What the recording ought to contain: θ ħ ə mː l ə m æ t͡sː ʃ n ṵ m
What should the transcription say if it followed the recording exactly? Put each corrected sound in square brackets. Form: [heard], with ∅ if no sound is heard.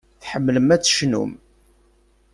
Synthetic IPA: θ ħ ə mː l ə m æ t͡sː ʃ n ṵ m

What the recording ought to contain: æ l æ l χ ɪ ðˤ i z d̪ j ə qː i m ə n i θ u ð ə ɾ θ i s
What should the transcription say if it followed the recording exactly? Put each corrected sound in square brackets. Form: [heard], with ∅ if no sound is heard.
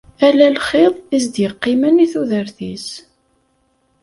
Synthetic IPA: æ l æ l χ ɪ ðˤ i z d̪ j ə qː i m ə n i θ u ð ə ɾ θ i s

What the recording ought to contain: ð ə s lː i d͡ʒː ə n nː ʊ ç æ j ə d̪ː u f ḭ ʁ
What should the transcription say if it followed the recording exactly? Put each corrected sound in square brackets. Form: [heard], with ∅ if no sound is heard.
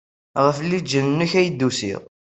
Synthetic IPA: [ʁ] ə [f] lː i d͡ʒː ə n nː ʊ ç æ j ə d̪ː u [s] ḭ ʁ

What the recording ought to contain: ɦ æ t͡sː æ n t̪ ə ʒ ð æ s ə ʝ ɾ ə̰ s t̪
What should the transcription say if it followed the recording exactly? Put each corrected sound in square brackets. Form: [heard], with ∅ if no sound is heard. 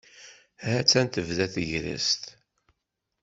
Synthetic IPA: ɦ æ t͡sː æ n t̪ ə [v] ð æ [θ] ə ʝ ɾ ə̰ s t̪

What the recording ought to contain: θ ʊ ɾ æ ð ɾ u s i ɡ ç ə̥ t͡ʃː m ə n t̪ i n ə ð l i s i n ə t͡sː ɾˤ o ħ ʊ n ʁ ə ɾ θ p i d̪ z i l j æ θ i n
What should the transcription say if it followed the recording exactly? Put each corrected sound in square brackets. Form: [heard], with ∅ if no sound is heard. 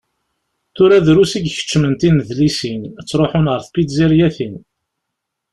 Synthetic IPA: θ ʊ ɾ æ ð ɾ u s i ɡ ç ə̥ t͡ʃː m ə n t̪ i n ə ð l i s i n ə t͡sː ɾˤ o ħ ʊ n ʁ ə ɾ θ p i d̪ z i [ɾ] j æ θ i n

